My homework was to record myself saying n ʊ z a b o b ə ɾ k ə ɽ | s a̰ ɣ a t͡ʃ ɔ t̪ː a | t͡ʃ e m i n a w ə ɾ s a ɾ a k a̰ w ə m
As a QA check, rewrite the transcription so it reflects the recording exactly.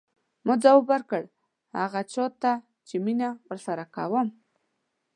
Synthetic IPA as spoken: m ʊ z a w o b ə ɾ k ə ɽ | h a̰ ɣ a t͡ʃ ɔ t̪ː a | t͡ʃ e m i n a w ə ɾ s a ɾ a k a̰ w ə m

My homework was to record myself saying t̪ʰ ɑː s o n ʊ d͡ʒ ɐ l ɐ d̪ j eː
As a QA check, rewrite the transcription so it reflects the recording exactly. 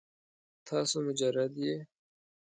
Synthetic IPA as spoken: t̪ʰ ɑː s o m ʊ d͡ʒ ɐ ɾ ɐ d̪ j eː

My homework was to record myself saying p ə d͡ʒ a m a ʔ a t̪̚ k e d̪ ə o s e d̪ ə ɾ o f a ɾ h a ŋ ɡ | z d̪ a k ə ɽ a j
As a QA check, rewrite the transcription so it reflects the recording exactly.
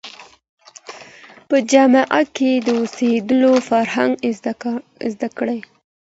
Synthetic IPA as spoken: p ə d͡ʒ a m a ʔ a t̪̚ k e d̪ ə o s e d̪ ə l o f a ɾ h a ŋ ɡ | z d̪ a k ə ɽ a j

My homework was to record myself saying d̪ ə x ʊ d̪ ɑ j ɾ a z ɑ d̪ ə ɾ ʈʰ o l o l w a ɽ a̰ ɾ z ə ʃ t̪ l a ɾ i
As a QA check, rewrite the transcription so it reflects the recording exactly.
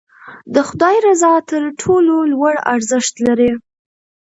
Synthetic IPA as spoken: d̪ ə x ʊ d̪ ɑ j ɾ a z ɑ t̪ ə ɾ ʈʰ o l o l w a ɽ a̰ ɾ z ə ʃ t̪ l a ɾ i

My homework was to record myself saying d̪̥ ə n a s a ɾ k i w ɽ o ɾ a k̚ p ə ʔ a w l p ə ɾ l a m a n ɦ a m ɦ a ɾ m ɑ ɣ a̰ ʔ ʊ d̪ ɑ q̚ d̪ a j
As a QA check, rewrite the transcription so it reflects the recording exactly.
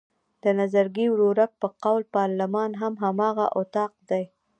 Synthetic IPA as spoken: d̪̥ ə n a z a ɾ ɡ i w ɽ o ɾ a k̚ p ə q a w l p ɑ ɾ l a m ɑ n ɦ a m ɦ a m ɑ ɣ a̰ ʔ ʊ t̪ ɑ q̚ d̪ a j

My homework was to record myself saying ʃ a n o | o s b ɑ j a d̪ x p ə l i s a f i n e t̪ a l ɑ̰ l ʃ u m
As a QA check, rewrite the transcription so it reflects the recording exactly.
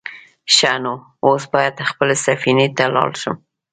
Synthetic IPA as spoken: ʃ a n o | o s b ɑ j a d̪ x p ə l e s a f i n e t̪ a l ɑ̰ l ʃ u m

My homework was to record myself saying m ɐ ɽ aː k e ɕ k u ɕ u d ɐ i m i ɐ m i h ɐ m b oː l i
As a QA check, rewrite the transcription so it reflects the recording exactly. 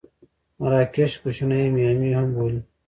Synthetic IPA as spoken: m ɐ ɾ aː k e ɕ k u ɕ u n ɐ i m i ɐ m i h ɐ m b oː l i

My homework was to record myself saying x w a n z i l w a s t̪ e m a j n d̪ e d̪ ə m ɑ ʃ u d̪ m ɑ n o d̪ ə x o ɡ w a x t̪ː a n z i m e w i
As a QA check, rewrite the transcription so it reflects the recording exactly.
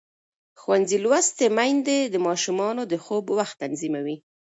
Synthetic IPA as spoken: x w a n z i l w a s t̪ e m a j n d̪ e d̪ ə m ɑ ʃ u m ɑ n o d̪ ə x o b w a x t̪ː a n z i m a w i

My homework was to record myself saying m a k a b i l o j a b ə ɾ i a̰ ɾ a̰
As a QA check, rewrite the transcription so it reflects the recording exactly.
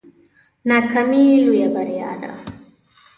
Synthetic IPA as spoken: n a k a m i l u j a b a ɾ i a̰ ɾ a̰

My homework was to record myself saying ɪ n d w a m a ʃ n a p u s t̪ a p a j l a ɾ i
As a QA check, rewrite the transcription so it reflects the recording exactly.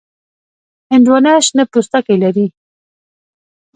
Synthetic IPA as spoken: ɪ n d w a n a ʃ n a p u s t̪ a k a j l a ɾ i

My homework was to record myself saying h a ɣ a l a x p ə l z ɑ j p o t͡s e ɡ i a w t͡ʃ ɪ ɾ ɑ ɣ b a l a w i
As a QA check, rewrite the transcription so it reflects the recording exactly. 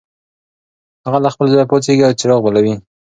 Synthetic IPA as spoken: h a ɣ a l a x p ə l z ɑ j p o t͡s e ɡ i a w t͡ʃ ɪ ɾ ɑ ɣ b a l a w i

